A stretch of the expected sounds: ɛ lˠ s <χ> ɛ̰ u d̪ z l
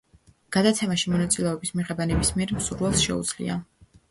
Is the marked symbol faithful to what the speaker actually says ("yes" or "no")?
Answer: no